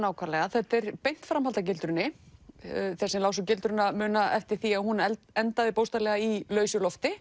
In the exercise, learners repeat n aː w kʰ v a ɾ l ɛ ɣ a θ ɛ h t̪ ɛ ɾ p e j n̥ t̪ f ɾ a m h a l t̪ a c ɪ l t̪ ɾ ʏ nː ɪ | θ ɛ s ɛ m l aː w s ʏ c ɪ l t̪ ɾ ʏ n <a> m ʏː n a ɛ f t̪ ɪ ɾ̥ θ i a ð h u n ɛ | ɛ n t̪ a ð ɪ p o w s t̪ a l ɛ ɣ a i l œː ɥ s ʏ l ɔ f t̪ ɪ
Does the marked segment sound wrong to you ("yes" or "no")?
no